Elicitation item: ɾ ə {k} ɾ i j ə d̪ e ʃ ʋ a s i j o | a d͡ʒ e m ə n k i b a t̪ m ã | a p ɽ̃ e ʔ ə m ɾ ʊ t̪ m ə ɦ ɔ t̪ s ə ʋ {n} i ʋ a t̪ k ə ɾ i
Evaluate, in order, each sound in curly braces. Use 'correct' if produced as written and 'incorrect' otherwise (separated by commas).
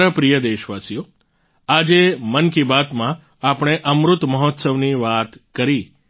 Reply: incorrect, correct